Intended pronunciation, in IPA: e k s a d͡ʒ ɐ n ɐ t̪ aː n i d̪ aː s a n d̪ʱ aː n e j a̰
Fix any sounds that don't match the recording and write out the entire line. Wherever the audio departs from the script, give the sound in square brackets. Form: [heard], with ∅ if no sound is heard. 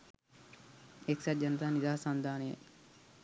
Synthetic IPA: e k s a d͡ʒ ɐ n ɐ t̪ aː n i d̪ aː s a n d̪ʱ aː n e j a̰